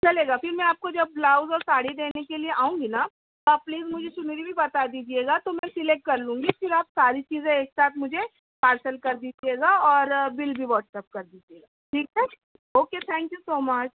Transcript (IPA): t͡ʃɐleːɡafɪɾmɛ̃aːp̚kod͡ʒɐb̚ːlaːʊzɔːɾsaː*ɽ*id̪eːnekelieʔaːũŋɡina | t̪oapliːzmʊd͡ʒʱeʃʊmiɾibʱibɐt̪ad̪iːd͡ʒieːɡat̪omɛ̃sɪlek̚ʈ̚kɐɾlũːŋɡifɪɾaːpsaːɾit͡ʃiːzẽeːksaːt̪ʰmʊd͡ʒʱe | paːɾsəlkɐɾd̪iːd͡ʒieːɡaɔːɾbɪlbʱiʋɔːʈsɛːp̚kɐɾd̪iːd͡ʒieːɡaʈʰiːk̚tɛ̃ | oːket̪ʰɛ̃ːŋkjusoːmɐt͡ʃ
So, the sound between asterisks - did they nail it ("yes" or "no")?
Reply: yes